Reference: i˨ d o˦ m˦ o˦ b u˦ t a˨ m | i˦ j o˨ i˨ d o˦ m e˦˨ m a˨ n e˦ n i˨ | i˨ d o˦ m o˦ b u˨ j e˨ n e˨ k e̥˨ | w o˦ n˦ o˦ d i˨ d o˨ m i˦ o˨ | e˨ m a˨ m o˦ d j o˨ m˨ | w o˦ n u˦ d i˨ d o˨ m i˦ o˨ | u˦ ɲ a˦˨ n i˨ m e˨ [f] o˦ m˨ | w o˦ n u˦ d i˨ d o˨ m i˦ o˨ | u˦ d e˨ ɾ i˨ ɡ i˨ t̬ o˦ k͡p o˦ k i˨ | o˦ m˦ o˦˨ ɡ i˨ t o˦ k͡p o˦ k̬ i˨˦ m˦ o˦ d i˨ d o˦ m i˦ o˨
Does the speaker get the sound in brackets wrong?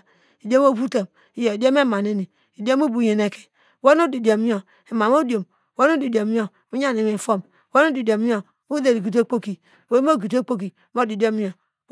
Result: no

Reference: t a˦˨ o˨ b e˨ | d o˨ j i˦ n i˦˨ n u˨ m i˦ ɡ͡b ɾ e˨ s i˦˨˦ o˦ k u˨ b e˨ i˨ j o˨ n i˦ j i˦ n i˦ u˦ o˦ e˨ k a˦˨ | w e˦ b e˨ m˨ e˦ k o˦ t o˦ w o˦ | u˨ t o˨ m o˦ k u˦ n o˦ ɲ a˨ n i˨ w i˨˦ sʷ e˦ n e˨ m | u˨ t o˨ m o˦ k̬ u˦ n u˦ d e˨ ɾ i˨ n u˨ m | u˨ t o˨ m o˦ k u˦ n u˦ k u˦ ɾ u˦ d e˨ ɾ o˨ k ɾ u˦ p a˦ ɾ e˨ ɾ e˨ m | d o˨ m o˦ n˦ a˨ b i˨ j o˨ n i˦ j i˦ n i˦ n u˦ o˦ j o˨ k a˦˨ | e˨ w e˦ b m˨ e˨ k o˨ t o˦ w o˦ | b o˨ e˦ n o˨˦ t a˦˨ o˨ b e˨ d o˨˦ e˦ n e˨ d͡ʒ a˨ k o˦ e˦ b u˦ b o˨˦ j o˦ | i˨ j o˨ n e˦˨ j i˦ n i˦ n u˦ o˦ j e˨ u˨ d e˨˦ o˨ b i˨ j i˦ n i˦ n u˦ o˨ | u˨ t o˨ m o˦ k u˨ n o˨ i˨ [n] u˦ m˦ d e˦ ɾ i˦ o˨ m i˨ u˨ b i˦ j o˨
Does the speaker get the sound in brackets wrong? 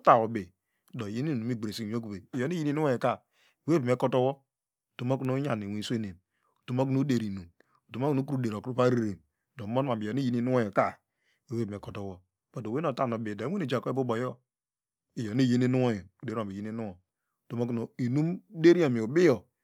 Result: no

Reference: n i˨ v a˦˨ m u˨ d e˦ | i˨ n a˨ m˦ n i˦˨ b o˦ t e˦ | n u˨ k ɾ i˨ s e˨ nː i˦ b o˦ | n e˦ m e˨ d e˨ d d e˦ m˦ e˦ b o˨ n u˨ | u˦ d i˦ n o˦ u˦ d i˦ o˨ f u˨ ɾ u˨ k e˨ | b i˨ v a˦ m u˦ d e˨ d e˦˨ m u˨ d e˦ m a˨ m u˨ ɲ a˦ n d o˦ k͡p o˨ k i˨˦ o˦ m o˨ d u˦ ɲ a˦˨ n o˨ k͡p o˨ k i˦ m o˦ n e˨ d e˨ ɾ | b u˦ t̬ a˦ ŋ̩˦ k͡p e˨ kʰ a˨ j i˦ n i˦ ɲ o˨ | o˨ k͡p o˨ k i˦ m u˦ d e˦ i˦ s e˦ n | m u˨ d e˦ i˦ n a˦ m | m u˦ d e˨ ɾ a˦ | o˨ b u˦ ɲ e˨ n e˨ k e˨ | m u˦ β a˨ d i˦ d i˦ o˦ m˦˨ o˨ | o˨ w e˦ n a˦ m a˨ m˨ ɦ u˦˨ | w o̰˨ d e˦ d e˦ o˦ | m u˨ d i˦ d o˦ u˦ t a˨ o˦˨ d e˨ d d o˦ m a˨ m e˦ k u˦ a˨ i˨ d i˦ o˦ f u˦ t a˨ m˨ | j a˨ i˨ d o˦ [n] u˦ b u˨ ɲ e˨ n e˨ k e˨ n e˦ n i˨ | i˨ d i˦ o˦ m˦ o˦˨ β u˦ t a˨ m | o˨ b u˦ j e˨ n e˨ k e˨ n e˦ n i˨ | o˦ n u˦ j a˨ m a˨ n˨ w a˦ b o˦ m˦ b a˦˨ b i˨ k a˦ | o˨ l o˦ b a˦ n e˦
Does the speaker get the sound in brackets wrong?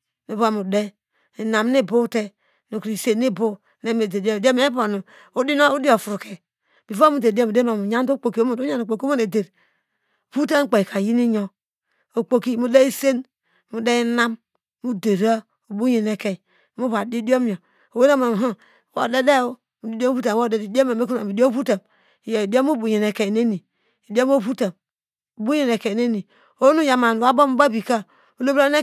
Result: yes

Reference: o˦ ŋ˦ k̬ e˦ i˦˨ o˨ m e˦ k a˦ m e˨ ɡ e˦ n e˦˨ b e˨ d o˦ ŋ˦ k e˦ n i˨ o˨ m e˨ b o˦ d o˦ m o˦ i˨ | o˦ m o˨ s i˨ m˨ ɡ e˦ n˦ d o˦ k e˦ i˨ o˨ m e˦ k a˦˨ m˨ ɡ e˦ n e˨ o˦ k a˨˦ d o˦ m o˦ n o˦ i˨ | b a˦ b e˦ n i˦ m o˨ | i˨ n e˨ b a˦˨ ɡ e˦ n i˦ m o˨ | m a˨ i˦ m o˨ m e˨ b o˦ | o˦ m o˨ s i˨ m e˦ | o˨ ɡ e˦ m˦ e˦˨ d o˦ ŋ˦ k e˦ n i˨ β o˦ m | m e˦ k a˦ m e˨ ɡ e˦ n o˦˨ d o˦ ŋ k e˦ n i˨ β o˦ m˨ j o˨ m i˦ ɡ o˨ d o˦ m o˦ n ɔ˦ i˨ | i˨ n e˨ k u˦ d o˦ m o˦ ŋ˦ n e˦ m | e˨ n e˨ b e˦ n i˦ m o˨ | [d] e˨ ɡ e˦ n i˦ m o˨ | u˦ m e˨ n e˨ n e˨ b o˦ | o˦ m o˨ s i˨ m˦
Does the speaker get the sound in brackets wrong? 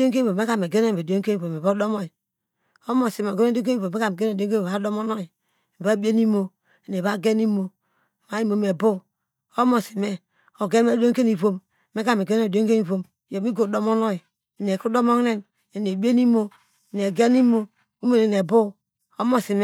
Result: yes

